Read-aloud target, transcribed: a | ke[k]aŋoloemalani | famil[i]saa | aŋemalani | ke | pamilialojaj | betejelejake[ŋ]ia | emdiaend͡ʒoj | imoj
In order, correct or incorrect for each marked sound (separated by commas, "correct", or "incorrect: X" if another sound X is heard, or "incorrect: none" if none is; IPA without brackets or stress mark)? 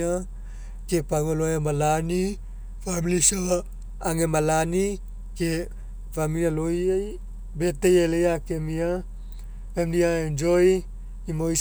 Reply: incorrect: p, correct, incorrect: m